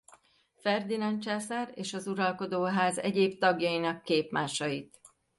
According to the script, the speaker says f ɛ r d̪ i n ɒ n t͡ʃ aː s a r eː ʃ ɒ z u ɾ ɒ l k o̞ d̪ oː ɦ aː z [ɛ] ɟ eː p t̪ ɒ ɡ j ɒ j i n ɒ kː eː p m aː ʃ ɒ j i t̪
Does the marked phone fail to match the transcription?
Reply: no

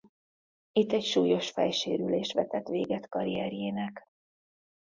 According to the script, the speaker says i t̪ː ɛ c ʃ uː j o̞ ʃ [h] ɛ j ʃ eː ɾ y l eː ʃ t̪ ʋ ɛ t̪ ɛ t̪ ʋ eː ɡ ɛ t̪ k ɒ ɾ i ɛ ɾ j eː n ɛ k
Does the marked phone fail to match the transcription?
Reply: yes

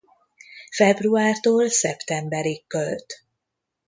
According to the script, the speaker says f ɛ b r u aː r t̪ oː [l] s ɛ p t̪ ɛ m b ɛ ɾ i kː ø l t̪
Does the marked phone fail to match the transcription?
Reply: no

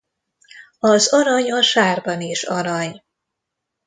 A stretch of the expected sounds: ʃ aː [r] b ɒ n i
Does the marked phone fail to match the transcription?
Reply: no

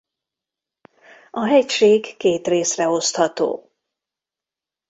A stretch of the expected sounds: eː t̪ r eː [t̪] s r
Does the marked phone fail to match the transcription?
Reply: yes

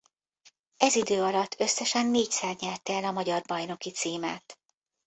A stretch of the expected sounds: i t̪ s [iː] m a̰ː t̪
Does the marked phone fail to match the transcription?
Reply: no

